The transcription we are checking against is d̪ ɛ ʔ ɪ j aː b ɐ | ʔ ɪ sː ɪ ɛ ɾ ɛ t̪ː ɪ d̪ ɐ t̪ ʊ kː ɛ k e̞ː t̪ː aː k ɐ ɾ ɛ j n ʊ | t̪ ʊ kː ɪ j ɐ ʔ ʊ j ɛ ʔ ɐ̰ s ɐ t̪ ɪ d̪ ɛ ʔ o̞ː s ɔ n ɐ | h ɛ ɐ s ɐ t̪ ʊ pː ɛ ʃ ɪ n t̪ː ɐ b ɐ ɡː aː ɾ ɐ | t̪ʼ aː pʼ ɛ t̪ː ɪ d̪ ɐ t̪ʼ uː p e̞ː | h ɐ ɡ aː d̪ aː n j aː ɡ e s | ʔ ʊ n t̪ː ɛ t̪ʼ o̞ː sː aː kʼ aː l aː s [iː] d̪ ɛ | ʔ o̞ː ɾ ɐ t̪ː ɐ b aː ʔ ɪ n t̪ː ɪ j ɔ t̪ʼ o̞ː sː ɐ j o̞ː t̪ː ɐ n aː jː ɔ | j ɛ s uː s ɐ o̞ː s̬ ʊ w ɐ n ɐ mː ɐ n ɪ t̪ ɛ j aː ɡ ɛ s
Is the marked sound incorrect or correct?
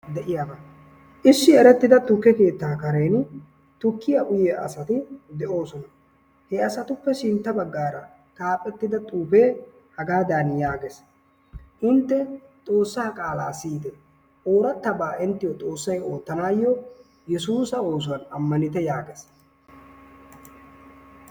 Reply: correct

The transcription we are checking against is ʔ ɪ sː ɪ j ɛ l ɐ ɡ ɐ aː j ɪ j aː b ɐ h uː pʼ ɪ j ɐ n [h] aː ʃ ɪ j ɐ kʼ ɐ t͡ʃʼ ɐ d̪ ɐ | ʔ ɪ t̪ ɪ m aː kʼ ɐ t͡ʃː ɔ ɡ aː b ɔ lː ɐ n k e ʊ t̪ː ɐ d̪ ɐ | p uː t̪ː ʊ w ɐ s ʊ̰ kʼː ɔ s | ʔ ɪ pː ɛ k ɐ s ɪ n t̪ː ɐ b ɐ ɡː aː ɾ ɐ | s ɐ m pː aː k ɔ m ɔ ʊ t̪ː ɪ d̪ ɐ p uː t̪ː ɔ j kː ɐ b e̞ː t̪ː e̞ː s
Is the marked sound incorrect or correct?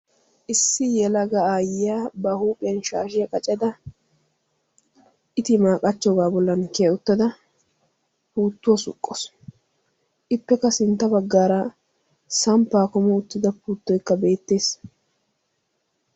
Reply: incorrect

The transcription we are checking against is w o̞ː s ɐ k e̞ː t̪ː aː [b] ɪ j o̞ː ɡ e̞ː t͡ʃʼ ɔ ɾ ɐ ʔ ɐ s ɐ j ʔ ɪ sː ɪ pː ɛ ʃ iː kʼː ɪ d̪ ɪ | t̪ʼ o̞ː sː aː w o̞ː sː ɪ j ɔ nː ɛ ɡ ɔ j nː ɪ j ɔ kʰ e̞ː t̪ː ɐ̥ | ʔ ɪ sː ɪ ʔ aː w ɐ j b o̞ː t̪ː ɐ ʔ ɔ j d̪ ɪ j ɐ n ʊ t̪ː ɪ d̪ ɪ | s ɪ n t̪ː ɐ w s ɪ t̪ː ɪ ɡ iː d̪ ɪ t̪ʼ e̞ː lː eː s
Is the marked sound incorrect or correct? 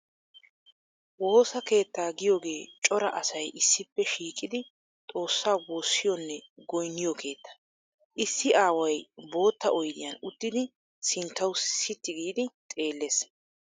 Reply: incorrect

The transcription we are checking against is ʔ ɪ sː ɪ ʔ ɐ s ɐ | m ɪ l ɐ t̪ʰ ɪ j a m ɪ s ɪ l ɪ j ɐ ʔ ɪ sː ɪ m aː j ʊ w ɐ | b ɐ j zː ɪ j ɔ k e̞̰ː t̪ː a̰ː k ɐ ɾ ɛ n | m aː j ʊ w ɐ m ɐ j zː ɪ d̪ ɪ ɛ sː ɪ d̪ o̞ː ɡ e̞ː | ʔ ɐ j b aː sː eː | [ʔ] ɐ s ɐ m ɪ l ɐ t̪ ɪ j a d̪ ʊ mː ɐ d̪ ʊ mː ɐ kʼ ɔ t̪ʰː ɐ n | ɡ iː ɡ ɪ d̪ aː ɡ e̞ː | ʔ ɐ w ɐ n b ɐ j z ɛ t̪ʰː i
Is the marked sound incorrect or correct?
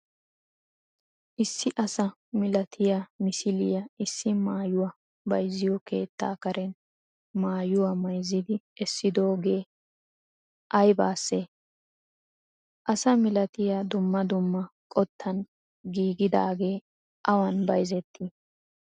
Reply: correct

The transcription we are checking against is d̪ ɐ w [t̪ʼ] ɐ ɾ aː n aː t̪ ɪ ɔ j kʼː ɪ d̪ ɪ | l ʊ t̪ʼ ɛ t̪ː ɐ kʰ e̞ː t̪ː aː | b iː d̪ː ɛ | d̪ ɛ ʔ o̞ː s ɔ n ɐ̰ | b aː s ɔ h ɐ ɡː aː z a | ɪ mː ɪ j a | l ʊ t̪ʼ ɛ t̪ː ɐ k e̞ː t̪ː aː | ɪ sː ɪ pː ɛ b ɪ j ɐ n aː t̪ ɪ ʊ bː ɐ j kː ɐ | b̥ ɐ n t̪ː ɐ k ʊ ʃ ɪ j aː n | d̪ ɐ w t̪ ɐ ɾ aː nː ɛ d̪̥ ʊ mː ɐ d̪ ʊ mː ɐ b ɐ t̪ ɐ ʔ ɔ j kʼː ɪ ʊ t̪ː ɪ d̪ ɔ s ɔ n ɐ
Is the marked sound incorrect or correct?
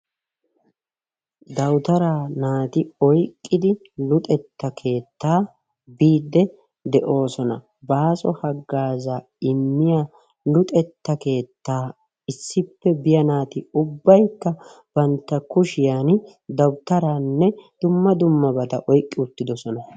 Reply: incorrect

